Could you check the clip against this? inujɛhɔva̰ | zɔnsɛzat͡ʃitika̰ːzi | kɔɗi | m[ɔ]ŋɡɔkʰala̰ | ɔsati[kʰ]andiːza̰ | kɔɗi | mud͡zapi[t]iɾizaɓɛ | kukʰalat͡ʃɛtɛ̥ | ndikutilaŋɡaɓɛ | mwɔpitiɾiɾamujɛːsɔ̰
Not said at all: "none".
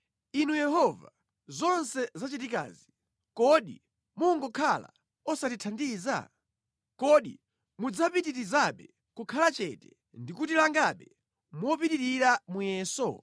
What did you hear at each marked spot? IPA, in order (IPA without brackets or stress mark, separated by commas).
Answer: u, tʰ, t